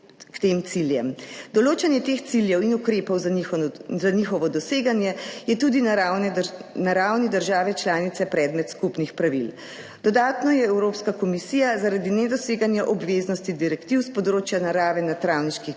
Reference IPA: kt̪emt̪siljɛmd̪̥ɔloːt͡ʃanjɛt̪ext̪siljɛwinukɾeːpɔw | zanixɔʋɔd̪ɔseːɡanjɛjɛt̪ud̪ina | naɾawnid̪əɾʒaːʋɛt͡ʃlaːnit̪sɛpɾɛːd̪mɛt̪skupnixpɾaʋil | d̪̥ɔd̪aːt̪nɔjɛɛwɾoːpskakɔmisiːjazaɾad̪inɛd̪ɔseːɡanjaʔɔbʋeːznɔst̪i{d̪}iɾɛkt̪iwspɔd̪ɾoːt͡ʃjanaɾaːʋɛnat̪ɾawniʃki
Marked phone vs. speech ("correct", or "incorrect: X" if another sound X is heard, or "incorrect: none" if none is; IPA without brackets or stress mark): correct